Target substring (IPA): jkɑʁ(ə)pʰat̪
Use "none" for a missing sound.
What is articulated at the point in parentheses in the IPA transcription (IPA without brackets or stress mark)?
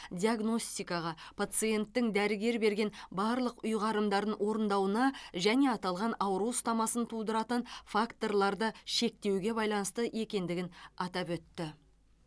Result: ɑ